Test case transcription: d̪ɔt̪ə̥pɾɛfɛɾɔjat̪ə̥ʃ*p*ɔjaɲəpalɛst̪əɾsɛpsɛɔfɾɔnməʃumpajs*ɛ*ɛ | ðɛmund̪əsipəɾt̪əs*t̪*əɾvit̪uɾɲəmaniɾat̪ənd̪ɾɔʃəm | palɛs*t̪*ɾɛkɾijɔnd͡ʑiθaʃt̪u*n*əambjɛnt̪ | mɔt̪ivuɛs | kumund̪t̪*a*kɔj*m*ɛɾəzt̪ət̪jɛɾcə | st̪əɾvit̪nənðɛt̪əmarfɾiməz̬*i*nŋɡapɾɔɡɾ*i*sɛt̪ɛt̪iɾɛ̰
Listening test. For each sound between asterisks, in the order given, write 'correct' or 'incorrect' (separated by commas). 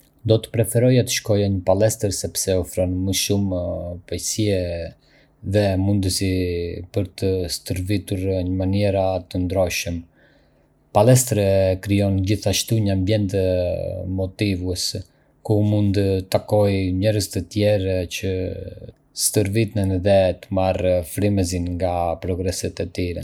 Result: incorrect, incorrect, correct, correct, incorrect, correct, incorrect, correct, incorrect